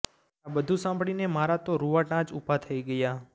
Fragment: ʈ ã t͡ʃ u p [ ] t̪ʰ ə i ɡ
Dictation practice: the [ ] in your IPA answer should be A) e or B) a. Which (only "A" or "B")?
B